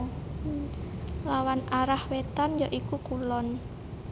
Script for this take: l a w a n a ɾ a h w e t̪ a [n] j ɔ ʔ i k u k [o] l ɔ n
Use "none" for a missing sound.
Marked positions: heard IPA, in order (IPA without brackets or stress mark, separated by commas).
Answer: n, u